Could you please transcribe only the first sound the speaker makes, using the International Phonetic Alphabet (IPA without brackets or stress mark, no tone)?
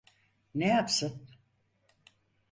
n